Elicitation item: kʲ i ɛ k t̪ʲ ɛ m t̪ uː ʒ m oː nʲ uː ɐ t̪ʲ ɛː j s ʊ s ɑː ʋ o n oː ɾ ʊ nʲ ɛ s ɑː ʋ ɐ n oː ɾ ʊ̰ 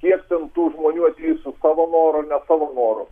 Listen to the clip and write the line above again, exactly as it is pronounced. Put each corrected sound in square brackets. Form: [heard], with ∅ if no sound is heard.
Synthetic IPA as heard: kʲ i ɛ k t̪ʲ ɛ [n] t̪ uː ʒ m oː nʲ uː ɐ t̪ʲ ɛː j s ʊ s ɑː ʋ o n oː ɾ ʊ nʲ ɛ s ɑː ʋ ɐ n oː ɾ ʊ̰